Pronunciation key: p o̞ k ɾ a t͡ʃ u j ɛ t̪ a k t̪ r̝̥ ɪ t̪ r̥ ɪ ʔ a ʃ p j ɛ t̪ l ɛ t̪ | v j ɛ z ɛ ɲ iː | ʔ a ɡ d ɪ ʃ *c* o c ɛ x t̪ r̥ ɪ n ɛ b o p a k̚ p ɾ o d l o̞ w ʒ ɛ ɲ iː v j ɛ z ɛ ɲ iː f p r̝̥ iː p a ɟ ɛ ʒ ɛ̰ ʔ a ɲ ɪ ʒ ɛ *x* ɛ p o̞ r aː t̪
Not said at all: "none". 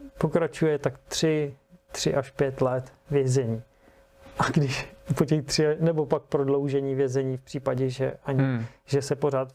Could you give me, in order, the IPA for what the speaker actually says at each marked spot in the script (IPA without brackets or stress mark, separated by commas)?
p, s